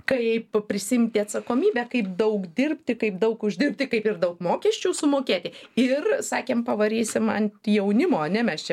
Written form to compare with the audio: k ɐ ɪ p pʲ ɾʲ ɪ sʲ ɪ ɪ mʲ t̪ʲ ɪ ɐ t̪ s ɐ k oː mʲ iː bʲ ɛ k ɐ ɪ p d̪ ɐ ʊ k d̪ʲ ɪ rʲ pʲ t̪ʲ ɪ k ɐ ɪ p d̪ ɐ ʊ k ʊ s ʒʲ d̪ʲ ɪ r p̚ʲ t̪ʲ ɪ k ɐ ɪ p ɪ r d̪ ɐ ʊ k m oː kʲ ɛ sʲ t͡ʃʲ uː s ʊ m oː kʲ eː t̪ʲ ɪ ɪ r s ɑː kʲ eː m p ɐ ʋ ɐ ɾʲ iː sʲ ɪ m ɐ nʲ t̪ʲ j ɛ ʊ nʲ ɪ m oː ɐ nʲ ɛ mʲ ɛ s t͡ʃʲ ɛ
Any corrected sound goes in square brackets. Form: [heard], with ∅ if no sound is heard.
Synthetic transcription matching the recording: k ɐ ɪ p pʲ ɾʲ ɪ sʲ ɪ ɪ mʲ t̪ʲ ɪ ɐ t̪ s ɐ k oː mʲ iː bʲ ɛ k ɐ ɪ p d̪ ɐ ʊ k d̪ʲ ɪ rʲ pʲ t̪ʲ ɪ k ɐ ɪ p d̪ ɐ ʊ k ʊ [∅] ʒʲ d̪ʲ ɪ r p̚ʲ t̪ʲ ɪ k ɐ ɪ p ɪ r d̪ ɐ ʊ k m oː kʲ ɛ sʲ t͡ʃʲ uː s ʊ m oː kʲ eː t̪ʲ ɪ ɪ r s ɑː kʲ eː m p ɐ ʋ ɐ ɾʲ iː sʲ ɪ m ɐ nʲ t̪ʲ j ɛ ʊ nʲ ɪ m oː ɐ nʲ ɛ mʲ ɛ s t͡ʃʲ ɛ